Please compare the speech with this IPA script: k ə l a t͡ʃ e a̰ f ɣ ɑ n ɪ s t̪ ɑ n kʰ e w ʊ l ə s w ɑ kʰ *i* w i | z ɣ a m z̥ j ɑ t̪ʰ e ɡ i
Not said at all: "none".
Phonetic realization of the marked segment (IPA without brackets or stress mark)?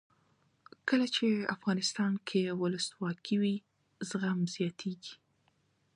i